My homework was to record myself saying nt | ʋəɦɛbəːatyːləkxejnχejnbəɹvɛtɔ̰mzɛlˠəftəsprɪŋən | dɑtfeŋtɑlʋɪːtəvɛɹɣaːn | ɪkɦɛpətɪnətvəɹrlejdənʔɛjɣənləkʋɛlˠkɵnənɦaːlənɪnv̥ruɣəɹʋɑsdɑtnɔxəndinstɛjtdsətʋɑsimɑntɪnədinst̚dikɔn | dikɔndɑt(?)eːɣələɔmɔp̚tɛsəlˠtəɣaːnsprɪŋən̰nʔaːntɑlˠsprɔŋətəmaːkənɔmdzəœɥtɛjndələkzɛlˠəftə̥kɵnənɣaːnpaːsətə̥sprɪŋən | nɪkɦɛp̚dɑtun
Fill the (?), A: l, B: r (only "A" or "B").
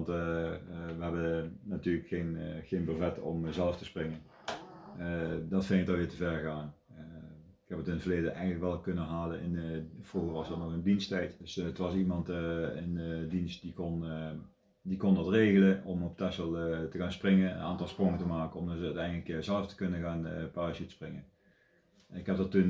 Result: B